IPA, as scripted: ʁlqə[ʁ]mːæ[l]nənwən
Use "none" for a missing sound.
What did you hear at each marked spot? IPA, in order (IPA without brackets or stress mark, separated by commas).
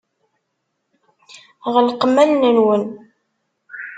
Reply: none, l